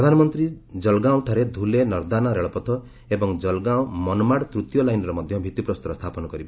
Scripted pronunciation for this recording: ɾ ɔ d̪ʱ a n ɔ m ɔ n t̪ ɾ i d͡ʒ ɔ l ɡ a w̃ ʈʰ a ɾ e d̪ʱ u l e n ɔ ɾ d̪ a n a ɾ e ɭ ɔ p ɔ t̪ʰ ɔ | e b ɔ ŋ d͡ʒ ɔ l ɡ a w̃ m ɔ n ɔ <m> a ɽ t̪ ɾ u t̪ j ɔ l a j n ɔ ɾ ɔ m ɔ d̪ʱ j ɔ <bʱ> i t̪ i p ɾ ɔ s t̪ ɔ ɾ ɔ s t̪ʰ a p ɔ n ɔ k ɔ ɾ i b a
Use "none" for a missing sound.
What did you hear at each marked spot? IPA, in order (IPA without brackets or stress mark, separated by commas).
m, bʱ